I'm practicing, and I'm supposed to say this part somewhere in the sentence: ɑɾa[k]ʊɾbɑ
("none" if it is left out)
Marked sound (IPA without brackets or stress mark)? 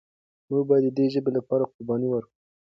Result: q